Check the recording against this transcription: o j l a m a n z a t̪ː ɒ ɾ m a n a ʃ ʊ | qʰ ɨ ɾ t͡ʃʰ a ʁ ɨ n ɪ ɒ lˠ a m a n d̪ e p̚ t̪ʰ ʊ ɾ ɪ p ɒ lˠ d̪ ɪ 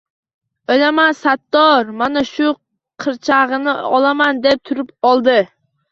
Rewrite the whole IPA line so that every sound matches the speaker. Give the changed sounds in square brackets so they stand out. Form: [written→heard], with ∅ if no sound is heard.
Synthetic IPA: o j l a m a n [z→s] a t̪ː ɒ ɾ m a n a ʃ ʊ | qʰ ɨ ɾ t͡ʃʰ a ʁ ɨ n ɪ ɒ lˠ a m a n d̪ e p̚ t̪ʰ ʊ ɾ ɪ p ɒ lˠ d̪ ɪ